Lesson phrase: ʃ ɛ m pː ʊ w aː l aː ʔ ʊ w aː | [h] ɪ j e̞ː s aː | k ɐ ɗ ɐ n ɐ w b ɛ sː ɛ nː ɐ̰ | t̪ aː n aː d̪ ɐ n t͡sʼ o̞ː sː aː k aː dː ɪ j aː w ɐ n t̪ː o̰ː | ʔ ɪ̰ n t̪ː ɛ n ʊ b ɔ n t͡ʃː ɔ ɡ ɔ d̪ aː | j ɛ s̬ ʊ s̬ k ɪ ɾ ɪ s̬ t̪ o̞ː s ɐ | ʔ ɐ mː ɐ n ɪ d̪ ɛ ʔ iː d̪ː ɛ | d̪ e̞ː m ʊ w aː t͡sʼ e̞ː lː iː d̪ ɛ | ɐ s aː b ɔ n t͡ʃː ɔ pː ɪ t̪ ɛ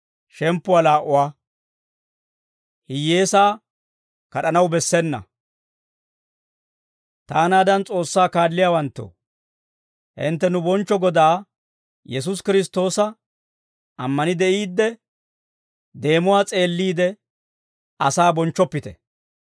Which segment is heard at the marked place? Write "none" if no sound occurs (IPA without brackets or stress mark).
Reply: h